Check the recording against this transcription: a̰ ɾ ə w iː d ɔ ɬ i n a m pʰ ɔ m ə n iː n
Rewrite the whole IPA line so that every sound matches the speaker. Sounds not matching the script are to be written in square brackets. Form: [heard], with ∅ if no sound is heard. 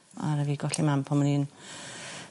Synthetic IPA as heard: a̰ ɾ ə [v] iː [ɡ] ɔ ɬ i [m] a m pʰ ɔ m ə n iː n